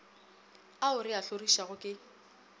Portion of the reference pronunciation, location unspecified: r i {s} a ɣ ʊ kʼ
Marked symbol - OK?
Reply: no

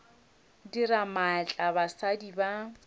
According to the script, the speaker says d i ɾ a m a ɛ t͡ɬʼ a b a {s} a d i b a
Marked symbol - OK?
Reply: yes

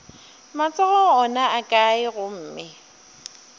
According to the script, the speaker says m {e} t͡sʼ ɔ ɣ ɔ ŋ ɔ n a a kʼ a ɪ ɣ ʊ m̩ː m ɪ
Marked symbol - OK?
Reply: no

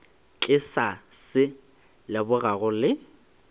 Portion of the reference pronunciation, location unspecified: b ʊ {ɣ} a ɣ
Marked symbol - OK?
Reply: yes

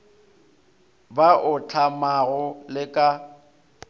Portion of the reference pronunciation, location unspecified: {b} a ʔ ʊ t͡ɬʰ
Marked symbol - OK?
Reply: yes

